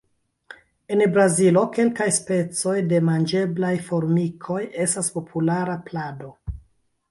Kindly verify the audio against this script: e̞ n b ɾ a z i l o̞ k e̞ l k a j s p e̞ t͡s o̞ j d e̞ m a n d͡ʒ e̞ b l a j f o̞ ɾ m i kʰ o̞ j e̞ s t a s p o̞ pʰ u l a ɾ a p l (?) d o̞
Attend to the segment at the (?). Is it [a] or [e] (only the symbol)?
a